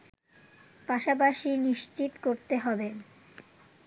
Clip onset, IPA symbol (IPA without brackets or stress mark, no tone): p